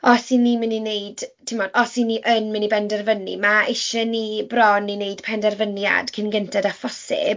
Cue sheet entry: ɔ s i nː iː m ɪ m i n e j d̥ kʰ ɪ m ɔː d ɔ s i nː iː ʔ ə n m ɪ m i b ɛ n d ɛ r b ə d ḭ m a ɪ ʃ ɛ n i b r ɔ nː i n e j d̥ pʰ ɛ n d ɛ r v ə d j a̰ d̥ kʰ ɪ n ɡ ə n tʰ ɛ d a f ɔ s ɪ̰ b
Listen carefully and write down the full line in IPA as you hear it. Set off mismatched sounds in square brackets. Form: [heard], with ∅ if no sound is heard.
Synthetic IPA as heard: ɔ s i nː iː m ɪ [n] i n e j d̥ [tʰ] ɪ m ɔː d ɔ s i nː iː ʔ ə n m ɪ [n] i b ɛ n d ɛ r [v] ə [n] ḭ m a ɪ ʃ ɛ n i b r ɔ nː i n e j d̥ pʰ ɛ n d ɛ r v ə [n] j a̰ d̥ kʰ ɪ n ɡ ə n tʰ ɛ d a f ɔ s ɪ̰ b